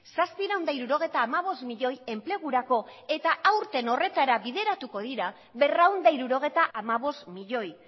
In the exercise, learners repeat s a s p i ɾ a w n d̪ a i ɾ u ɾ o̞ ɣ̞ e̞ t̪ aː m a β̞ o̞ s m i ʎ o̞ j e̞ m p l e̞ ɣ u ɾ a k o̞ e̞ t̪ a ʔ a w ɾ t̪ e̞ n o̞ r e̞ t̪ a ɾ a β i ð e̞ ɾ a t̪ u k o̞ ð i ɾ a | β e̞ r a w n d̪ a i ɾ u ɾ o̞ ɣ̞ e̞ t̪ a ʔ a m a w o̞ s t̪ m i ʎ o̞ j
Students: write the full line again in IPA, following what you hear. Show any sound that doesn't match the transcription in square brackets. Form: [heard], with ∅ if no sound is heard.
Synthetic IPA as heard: s a s p i ɾ a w n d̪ a i ɾ u ɾ o̞ ɣ̞ e̞ t̪ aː m a β̞ o̞ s m i ʎ o̞ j e̞ m p l e̞ ɣ u ɾ a k o̞ e̞ t̪ a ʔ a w ɾ t̪ e̞ n o̞ r e̞ t̪ a ɾ a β i ð e̞ ɾ a t̪ u k o̞ ð i ɾ a | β e̞ r a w n d̪ a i ɾ u ɾ o̞ ɣ̞ e̞ t̪ a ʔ a m a [β] o̞ s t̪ m i ʎ o̞ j